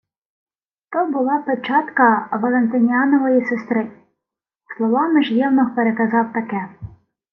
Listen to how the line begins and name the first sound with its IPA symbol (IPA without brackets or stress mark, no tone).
t̪